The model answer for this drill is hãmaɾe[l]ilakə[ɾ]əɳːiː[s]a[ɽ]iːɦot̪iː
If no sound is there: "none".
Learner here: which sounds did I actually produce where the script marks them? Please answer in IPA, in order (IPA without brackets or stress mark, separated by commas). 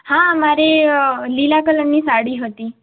l, l, s, ɽ